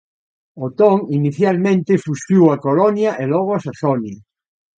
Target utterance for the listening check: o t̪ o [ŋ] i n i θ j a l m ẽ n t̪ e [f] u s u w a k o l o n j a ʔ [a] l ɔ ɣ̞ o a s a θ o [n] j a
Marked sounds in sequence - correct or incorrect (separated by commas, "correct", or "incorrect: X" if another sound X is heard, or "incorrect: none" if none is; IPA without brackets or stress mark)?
correct, correct, incorrect: e, correct